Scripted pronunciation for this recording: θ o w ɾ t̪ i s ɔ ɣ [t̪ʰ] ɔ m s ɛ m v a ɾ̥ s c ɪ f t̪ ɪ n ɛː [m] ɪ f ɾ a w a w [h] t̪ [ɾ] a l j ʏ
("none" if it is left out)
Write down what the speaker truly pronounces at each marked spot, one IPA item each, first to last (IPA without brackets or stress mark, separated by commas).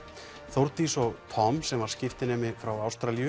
t̪ʰ, m, s, ɾ